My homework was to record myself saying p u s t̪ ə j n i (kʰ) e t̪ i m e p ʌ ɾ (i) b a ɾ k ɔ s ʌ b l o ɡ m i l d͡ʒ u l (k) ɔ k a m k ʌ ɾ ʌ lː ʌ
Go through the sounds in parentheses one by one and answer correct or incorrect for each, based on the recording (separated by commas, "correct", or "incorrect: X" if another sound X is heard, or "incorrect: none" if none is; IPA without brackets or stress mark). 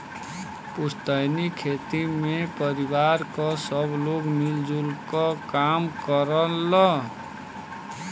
correct, correct, correct